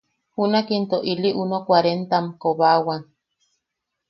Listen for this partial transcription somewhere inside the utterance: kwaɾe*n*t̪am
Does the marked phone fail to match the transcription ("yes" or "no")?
no